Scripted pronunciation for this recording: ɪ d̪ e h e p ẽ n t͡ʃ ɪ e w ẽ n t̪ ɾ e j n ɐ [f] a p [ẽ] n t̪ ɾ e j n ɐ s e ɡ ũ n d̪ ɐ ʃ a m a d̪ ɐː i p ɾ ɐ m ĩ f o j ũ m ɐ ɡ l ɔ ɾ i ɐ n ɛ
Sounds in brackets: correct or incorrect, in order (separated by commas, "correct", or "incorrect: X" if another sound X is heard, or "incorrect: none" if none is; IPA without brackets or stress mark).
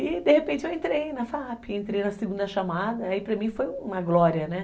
correct, correct